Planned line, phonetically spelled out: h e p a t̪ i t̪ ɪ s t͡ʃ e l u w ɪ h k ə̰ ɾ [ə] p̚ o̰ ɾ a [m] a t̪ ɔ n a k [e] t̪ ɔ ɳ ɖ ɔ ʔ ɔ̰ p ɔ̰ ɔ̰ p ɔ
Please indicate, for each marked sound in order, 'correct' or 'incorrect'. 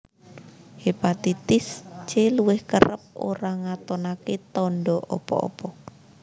correct, incorrect: ŋ, correct

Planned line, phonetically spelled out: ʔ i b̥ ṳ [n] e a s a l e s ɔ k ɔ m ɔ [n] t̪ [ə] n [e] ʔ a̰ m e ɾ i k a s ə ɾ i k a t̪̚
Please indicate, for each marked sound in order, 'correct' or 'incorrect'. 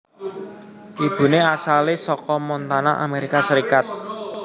correct, correct, incorrect: a, incorrect: a

